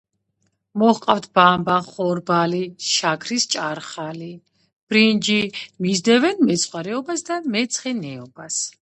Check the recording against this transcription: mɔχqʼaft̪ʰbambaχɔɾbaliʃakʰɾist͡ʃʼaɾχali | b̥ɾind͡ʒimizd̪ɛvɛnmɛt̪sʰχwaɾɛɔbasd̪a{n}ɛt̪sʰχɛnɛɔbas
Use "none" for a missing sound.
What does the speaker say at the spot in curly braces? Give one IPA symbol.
m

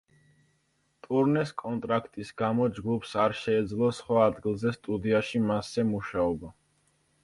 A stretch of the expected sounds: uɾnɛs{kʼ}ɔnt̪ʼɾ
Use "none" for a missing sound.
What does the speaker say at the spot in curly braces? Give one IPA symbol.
kʼ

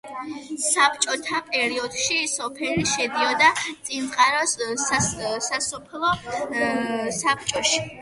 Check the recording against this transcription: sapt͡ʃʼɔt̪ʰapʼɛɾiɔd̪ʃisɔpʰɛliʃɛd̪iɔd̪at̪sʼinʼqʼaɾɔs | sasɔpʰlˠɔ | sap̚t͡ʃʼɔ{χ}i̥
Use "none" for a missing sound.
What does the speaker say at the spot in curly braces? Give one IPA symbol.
ʃ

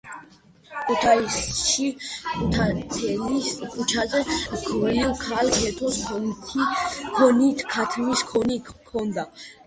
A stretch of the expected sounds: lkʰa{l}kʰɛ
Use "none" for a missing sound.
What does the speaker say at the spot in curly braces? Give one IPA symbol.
l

